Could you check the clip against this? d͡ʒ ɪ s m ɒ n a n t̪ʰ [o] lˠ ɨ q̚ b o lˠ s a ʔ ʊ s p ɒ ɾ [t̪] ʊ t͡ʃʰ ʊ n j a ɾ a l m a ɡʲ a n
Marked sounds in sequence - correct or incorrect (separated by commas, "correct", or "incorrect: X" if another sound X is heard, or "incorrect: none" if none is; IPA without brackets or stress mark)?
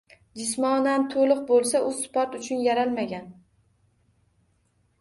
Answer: correct, correct